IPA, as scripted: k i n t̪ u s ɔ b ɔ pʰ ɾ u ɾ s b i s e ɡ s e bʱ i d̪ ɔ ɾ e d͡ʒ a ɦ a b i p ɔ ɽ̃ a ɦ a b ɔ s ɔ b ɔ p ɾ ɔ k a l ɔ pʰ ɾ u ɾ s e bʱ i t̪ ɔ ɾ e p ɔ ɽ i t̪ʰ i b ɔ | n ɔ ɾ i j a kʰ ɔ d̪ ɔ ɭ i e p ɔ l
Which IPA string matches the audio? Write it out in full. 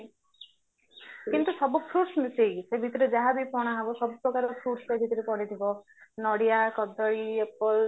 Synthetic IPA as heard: k i n t̪ u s ɔ b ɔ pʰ ɾ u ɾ s m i s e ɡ s e bʱ i t̪ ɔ ɾ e d͡ʒ a ɦ a b i p ɔ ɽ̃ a ɦ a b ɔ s ɔ b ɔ p ɾ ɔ k a ɾ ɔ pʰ ɾ u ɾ s e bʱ i t̪ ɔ ɾ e p ɔ ɽ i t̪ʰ i b ɔ | n ɔ ɽ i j a k ɔ d̪ ɔ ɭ i e p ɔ l